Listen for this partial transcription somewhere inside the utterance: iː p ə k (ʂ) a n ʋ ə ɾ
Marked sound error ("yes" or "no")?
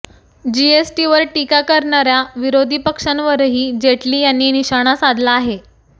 no